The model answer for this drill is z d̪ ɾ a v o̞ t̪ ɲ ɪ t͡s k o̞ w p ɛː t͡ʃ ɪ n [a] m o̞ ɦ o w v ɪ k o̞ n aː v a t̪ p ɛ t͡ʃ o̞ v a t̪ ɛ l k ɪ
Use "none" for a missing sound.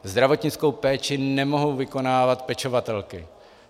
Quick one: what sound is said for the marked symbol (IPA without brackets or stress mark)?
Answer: ɛ